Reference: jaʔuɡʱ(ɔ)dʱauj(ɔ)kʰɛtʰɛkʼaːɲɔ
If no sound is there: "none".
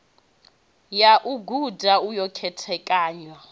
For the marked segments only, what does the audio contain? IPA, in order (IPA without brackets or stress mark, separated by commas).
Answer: u, ɔ